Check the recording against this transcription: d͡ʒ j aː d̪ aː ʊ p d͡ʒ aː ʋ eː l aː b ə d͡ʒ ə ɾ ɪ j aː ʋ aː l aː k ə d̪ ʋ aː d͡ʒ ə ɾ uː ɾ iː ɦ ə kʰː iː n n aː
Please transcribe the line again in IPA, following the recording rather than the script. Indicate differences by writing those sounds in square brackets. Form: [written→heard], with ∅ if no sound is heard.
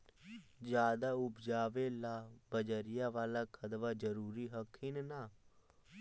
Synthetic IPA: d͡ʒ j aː d̪ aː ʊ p d͡ʒ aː ʋ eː l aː b ə d͡ʒ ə ɾ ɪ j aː ʋ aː l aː [k→kʰ] ə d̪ ʋ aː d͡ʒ ə ɾ uː ɾ iː ɦ ə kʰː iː n n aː